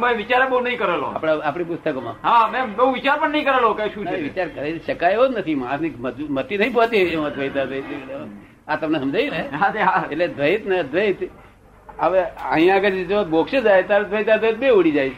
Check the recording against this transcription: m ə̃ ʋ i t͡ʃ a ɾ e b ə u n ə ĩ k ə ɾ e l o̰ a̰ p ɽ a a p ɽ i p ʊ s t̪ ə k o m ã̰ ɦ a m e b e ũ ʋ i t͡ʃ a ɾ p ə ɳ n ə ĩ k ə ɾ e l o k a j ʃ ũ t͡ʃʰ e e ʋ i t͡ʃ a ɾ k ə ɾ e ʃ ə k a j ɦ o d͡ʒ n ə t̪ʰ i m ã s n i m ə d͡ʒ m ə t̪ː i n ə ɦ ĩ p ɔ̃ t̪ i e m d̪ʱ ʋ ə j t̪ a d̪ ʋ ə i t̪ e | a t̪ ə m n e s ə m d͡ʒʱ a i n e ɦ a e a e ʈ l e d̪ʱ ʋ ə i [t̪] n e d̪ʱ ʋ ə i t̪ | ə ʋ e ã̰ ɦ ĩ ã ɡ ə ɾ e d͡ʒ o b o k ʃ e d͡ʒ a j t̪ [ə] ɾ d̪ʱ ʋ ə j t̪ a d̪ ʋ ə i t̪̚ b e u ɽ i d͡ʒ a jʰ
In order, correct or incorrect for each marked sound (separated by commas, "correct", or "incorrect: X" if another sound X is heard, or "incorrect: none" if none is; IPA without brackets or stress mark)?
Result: correct, incorrect: a